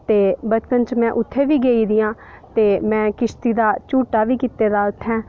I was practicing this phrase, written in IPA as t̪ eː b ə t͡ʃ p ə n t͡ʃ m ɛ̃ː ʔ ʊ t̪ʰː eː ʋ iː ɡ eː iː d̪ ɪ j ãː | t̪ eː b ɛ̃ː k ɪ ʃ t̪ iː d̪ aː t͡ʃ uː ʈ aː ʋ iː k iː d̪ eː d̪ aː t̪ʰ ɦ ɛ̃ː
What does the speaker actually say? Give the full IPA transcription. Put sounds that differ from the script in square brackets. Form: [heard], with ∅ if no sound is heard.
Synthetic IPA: t̪ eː b ə t͡ʃ p ə n t͡ʃ m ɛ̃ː ʔ ʊ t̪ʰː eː ʋ iː ɡ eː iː d̪ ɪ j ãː | t̪ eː [m] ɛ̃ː k ɪ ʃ t̪ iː d̪ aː t͡ʃ uː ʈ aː ʋ iː k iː [t̪] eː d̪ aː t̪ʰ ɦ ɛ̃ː